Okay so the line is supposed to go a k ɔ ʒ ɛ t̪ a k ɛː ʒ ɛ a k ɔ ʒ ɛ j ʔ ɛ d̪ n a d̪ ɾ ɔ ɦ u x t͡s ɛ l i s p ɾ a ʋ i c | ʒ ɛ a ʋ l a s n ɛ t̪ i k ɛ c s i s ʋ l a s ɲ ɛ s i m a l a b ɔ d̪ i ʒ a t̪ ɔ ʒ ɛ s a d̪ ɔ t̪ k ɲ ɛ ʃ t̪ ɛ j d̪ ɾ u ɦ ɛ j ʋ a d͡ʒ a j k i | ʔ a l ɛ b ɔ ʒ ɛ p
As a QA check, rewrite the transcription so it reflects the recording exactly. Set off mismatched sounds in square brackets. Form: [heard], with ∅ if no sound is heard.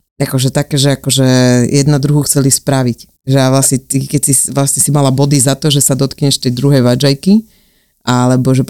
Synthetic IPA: a k ɔ ʒ ɛ t̪ a k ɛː ʒ ɛ a k ɔ ʒ ɛ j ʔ ɛ d̪ n a d̪ ɾ [u] ɦ u x t͡s ɛ l i s p ɾ a ʋ i c | ʒ ɛ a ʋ l a s [ɲ] ɛ t̪ i k ɛ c s i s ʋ l a s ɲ ɛ s i m a l a b ɔ d̪ i [z] a t̪ ɔ ʒ ɛ s a d̪ ɔ t̪ k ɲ ɛ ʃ t̪ ɛ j d̪ ɾ u ɦ ɛ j ʋ a d͡ʒ a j k i | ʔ a l ɛ b ɔ ʒ ɛ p